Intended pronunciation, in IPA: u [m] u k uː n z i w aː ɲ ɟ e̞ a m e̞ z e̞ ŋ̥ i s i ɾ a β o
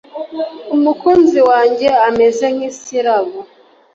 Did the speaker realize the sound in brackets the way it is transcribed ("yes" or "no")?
yes